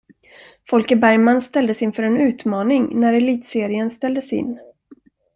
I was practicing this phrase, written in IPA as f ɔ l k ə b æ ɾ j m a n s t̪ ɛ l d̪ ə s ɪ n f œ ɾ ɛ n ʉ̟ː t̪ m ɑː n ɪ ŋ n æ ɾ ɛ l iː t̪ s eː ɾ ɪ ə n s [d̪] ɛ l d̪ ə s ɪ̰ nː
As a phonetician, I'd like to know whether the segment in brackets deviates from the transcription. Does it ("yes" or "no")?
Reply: yes